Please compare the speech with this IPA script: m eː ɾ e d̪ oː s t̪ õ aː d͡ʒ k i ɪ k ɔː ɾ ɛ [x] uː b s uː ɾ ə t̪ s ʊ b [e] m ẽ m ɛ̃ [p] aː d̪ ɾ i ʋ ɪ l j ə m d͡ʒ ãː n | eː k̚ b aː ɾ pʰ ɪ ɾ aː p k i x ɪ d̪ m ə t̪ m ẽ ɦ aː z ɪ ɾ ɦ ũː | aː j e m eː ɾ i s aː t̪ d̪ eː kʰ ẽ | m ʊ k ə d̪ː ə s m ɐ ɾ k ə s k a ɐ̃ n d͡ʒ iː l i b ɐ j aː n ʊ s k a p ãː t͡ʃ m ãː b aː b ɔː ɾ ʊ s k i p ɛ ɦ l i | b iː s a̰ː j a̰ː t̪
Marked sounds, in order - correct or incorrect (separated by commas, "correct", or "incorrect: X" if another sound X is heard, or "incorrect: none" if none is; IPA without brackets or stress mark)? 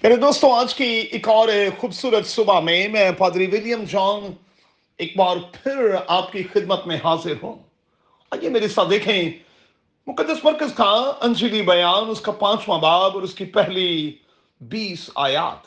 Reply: correct, incorrect: a, correct